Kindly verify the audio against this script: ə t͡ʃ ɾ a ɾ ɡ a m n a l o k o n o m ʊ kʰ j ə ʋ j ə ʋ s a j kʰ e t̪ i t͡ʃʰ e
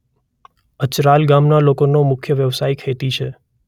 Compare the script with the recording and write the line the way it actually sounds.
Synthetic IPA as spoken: ə t͡ʃ ɾ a l ɡ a m n a l o k o n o m ʊ kʰ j ə ʋ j ə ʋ s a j kʰ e t̪ i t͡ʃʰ e